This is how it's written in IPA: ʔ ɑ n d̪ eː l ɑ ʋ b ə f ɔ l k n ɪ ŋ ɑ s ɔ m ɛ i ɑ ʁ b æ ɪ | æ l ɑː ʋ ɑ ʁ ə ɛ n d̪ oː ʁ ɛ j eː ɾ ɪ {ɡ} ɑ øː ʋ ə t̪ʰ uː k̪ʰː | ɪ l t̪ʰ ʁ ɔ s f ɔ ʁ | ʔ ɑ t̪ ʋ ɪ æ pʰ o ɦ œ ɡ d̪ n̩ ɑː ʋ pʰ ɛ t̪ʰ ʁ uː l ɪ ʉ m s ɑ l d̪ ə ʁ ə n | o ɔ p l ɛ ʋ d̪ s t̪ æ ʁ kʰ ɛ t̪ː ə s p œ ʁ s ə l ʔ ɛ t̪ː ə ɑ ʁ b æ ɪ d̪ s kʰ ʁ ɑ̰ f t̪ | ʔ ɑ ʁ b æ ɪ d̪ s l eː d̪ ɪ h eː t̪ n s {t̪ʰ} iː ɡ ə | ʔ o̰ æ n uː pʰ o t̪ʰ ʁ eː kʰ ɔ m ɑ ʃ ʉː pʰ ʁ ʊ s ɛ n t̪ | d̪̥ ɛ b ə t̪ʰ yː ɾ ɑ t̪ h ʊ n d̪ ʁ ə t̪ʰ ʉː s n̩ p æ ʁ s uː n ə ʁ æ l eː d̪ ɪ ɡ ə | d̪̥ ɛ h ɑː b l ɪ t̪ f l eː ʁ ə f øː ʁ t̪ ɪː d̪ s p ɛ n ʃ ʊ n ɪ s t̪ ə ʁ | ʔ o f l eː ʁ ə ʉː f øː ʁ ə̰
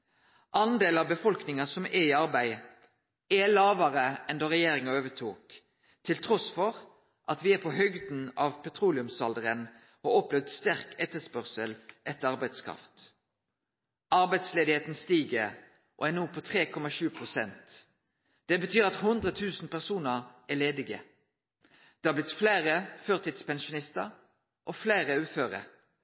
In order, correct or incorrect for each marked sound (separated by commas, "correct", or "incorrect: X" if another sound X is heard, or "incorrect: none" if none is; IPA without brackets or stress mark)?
incorrect: ŋ, incorrect: t̪